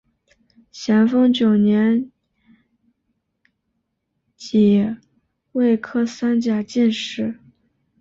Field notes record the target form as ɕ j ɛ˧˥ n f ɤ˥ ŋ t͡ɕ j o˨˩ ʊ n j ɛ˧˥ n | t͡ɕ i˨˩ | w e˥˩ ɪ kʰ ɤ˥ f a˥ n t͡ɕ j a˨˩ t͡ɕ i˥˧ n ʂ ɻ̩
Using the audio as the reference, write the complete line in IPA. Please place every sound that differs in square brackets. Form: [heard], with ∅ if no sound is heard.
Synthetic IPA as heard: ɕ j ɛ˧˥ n f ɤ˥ ŋ t͡ɕ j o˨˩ ʊ n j ɛ˧˥ n | t͡ɕ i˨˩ | w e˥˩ ɪ kʰ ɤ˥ [s] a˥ n t͡ɕ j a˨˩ t͡ɕ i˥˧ n ʂ ɻ̩